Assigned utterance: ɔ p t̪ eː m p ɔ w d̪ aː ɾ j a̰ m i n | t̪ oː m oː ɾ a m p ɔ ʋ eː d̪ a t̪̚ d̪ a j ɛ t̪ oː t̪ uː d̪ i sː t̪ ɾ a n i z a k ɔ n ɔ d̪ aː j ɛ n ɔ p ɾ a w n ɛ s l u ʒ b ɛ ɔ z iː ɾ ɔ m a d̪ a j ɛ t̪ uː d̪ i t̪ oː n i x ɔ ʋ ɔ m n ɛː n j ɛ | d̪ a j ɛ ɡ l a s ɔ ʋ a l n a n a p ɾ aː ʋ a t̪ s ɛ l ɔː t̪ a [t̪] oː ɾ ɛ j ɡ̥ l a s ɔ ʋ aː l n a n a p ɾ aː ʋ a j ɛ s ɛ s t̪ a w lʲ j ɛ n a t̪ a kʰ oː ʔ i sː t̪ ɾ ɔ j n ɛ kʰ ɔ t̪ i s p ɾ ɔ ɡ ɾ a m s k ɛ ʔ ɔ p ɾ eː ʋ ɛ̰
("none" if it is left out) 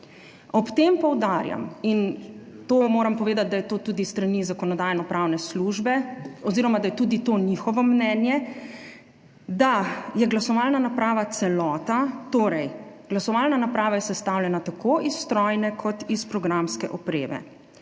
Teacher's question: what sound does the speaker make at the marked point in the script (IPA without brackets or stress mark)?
t̪